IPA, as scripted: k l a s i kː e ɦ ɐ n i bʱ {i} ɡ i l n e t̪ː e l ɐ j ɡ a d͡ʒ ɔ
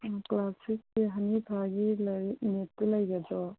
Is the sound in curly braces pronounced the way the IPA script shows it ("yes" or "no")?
no